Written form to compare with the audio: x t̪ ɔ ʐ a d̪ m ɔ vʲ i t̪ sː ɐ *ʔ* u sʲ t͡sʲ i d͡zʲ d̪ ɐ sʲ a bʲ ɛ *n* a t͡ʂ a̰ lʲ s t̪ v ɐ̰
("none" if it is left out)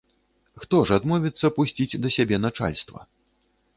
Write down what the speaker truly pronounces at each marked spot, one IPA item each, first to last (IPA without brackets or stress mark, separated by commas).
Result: p, n